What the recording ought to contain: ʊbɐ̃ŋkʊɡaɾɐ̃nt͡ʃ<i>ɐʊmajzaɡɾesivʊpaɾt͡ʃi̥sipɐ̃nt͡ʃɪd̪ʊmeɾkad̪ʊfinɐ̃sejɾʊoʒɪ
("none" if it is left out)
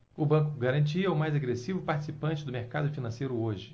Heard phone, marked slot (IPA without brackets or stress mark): i